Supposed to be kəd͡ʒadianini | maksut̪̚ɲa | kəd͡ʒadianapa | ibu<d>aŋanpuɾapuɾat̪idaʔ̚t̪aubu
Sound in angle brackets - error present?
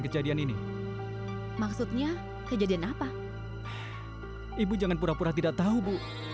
yes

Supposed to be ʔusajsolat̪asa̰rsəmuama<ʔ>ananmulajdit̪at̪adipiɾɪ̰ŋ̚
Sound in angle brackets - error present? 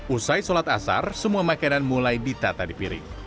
yes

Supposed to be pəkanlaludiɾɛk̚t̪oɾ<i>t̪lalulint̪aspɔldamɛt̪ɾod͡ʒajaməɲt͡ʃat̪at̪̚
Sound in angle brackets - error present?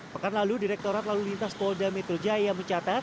yes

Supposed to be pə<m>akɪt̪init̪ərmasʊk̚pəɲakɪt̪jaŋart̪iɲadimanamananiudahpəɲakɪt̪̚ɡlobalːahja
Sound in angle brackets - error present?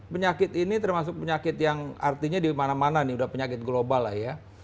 yes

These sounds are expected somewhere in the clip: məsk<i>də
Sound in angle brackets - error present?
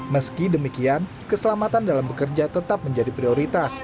no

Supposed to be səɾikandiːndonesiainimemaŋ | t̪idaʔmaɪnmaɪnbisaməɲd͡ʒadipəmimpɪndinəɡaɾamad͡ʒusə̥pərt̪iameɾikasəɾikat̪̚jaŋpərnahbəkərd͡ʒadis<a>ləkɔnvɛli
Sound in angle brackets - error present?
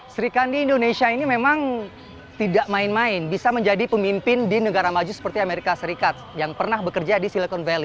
yes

